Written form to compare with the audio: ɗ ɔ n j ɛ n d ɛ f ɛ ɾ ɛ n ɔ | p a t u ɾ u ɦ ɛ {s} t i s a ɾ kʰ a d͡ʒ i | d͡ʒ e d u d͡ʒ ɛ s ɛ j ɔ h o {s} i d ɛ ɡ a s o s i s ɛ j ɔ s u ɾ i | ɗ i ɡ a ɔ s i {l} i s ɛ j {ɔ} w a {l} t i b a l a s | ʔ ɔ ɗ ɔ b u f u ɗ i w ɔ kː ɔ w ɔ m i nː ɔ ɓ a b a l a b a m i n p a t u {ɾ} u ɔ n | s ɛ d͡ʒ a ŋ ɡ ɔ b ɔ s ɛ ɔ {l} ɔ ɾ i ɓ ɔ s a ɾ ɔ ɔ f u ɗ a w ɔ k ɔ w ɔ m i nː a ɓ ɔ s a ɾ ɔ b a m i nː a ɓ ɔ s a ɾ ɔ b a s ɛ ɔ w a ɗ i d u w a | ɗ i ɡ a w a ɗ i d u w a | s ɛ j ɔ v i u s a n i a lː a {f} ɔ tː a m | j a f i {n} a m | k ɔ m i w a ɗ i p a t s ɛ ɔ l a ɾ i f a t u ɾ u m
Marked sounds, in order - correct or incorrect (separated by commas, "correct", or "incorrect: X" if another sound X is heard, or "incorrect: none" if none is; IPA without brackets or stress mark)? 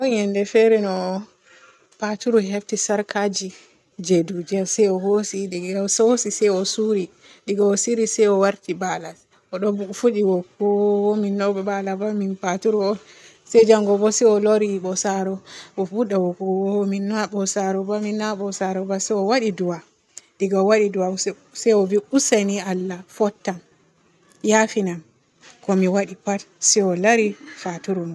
incorrect: f, correct, incorrect: ɾ, correct, incorrect: ɾ, correct, correct, correct, correct